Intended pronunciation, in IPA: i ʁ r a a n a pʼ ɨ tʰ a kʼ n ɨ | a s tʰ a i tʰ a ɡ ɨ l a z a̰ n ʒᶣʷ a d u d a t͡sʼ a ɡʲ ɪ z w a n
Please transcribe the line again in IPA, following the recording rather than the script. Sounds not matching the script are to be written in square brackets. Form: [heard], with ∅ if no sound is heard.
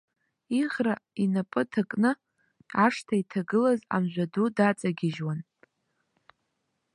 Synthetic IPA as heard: i ʁ r a [i] n a pʼ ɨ tʰ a kʼ n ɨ | a [ʂ] tʰ a i tʰ a ɡ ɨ l a z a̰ [m] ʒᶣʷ a d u d a t͡sʼ a ɡʲ ɪ [ʒ] w a n